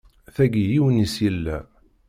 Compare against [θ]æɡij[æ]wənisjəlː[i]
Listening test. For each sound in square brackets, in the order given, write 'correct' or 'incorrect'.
correct, incorrect: i, incorrect: æ

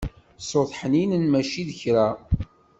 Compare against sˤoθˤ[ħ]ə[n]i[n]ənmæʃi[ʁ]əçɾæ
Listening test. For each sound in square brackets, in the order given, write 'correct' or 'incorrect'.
correct, correct, correct, incorrect: ð

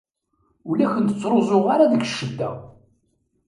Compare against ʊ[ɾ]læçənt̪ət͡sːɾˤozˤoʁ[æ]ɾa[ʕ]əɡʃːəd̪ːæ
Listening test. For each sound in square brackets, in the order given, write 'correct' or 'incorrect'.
incorrect: none, incorrect: a, incorrect: ð

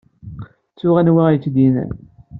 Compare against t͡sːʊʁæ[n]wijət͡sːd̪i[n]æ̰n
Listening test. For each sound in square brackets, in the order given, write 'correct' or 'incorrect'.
correct, correct

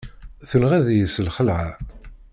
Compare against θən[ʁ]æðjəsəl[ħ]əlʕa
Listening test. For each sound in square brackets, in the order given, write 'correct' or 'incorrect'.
correct, incorrect: χ

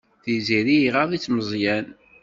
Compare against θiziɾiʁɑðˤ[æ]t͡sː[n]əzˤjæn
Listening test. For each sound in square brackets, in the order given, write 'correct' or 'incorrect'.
incorrect: i, incorrect: m

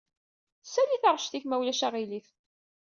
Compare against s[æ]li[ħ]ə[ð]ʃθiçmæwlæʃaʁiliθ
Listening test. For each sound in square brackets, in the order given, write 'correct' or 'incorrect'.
correct, incorrect: θ, incorrect: ʁ

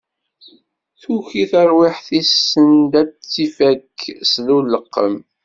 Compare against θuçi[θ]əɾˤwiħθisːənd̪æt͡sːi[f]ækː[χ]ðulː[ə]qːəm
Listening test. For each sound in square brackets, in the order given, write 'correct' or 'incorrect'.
correct, correct, incorrect: s, correct

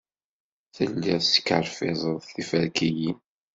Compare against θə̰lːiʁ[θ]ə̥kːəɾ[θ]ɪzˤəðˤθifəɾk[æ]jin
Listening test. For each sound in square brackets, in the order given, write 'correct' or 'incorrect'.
incorrect: s, incorrect: f, incorrect: i

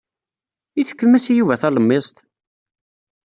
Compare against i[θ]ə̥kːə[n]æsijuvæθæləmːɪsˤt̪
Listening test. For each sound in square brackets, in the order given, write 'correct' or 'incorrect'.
correct, incorrect: m

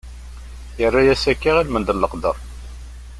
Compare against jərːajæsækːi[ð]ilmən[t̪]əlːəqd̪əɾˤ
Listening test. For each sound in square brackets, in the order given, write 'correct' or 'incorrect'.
incorrect: ʁ, incorrect: d̪

